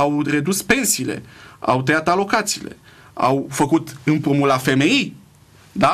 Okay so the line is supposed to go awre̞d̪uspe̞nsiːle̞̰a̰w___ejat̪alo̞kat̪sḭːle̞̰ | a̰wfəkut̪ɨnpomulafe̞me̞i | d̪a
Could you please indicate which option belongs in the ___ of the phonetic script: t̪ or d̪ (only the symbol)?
t̪